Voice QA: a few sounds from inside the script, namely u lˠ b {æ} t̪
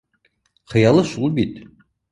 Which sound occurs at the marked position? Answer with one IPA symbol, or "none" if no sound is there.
i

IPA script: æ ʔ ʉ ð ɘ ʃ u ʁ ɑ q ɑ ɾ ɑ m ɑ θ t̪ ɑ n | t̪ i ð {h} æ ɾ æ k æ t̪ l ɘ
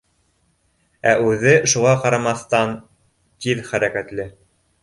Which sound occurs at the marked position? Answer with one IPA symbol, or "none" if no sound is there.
χ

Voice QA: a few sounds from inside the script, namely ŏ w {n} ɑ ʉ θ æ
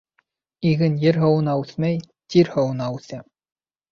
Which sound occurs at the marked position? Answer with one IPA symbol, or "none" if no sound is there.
n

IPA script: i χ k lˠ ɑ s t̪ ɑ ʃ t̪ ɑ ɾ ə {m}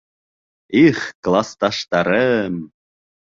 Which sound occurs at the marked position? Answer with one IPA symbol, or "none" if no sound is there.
m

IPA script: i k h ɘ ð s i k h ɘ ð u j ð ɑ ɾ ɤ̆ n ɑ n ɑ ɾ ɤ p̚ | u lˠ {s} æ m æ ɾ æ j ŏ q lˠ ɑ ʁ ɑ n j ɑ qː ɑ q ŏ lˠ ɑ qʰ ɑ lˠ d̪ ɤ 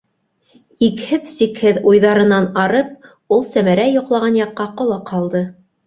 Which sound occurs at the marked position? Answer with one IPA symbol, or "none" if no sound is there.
s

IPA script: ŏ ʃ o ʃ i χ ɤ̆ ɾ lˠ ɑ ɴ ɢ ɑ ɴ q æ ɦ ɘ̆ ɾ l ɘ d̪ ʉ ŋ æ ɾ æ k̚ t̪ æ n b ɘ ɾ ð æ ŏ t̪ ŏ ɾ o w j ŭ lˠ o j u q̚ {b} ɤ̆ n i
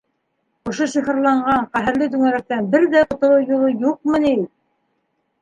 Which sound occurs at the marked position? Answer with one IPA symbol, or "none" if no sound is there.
m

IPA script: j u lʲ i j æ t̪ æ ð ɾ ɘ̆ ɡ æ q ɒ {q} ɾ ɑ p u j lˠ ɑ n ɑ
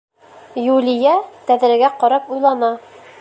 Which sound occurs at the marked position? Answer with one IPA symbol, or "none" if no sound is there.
none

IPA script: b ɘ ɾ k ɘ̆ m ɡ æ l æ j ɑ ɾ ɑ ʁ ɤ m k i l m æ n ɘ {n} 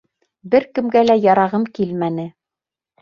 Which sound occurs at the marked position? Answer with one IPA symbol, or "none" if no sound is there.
none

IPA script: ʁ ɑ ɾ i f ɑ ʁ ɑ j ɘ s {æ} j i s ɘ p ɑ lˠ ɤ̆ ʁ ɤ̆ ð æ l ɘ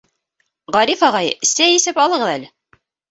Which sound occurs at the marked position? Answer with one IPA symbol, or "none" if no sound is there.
æ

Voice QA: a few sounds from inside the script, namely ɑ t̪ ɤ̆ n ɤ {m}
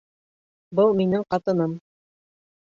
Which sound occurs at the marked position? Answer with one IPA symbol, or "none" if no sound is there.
m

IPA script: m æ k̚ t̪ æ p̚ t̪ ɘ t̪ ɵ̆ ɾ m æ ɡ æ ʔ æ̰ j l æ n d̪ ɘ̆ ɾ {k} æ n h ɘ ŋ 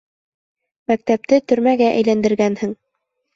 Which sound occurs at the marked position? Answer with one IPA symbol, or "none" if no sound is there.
ɡ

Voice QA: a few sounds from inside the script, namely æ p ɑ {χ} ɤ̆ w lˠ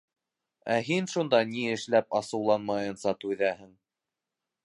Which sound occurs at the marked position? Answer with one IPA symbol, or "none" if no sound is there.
s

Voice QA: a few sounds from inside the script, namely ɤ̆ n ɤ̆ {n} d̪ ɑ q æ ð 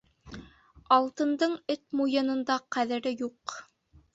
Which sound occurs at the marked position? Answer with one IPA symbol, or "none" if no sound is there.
n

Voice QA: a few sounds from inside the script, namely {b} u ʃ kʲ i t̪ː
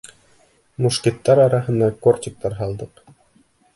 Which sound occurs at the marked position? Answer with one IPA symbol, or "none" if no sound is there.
m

